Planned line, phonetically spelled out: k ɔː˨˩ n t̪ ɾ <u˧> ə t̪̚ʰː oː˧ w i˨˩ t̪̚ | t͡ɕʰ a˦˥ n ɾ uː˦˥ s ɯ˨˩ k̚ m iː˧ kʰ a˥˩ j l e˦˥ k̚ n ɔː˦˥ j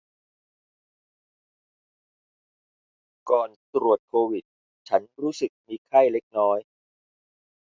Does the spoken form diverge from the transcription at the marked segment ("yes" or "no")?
yes